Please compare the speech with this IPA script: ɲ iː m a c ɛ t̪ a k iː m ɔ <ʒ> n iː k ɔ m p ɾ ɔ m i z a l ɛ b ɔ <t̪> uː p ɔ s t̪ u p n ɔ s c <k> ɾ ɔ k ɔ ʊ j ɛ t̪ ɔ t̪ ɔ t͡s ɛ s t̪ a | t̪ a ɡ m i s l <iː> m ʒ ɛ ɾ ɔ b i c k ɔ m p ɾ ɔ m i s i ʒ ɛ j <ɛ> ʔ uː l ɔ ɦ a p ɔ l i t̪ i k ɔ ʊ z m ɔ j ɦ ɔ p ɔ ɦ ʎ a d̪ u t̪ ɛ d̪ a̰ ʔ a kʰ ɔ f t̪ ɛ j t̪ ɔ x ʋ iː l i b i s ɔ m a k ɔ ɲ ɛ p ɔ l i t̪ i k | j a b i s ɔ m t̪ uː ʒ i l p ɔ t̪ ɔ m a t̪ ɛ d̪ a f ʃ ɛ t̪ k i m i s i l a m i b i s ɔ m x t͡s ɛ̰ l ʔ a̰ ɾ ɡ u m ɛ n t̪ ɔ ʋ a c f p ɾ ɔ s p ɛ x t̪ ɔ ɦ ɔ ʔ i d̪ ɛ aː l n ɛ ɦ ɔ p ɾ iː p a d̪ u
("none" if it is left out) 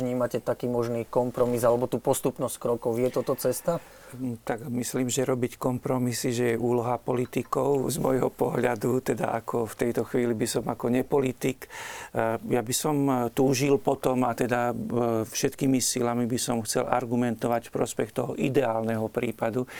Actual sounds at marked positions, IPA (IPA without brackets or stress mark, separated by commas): ʒ, t̪, k, iː, ɛ